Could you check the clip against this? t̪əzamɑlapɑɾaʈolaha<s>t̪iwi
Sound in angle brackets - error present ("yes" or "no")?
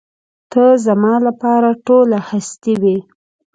no